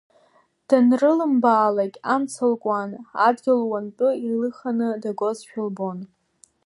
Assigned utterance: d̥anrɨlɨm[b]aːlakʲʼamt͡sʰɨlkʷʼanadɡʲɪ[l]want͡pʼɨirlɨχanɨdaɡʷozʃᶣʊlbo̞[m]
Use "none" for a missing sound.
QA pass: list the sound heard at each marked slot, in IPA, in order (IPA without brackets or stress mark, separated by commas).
b, l, n